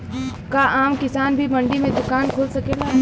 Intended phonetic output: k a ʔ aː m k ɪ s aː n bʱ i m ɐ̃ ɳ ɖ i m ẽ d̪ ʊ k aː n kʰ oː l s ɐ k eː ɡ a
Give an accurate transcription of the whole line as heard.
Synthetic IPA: k a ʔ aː m k ɪ s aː n bʱ i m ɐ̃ ɳ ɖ i m ẽ d̪ ʊ k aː n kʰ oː l s ɐ k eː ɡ a